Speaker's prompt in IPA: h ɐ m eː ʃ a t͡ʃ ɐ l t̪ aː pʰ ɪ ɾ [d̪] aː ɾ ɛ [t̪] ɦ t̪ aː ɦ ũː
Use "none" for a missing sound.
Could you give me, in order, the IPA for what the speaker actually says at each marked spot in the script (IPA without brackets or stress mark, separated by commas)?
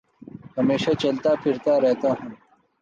t̪, none